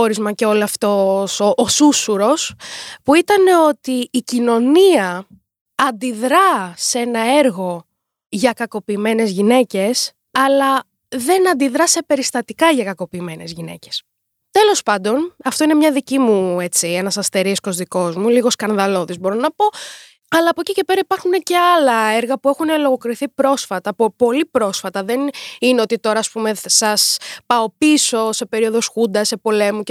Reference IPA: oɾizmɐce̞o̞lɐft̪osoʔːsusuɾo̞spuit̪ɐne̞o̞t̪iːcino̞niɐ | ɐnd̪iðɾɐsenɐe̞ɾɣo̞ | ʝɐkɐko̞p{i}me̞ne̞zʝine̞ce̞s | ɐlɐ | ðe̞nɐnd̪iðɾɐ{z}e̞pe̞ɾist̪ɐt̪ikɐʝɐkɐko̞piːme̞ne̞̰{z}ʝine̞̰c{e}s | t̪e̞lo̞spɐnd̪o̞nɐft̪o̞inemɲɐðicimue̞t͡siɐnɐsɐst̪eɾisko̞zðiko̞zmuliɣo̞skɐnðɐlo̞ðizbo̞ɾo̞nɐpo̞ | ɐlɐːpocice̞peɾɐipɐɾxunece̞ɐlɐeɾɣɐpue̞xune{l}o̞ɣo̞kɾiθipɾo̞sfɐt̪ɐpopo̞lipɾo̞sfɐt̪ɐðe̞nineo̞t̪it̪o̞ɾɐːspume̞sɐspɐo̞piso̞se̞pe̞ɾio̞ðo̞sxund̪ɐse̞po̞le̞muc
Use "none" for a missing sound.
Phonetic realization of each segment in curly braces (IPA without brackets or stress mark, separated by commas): iː, s, z, e, l